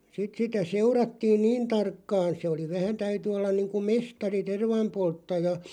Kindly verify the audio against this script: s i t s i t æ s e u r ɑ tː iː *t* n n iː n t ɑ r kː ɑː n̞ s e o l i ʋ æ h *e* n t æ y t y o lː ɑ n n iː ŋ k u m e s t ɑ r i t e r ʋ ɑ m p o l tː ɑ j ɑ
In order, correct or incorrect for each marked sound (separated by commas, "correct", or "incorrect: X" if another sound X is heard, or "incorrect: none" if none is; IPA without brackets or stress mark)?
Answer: incorrect: none, incorrect: æ